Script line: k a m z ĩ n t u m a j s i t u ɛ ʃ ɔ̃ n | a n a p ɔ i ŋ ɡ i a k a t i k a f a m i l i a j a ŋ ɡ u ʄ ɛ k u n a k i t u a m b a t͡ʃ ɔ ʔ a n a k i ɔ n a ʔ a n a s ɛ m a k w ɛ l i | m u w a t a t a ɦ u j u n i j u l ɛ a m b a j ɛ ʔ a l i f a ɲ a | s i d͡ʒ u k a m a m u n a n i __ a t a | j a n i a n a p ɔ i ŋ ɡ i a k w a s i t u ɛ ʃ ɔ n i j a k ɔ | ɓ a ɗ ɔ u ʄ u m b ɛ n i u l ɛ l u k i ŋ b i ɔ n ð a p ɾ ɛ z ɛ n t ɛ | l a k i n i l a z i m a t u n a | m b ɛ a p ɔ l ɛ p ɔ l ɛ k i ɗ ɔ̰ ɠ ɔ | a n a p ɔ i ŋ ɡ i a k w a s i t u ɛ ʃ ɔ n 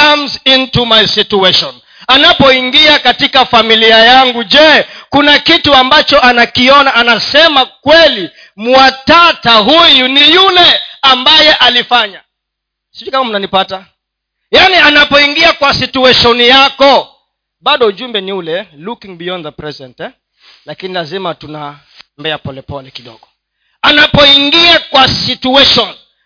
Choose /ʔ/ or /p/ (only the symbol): p